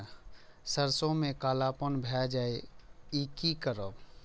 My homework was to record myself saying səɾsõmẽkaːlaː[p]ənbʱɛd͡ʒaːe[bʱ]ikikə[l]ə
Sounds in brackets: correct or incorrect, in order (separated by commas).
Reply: correct, incorrect, incorrect